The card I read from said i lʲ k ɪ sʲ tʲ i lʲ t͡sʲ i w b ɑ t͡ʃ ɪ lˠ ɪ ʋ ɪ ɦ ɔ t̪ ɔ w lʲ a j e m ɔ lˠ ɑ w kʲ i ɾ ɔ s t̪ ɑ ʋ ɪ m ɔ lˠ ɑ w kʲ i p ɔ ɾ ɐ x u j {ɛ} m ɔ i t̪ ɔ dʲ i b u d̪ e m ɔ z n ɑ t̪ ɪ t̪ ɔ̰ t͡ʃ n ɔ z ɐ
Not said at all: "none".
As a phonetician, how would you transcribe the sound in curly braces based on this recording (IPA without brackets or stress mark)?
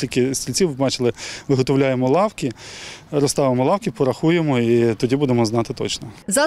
e